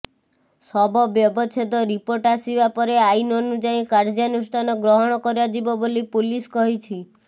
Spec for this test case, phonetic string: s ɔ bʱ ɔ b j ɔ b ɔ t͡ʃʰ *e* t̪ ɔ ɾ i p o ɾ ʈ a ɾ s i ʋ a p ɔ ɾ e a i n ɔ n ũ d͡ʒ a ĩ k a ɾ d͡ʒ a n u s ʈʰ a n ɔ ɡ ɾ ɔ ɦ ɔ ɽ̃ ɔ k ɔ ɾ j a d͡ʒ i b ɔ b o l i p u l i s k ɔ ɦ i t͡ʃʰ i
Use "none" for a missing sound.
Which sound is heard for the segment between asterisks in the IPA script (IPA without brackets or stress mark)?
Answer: e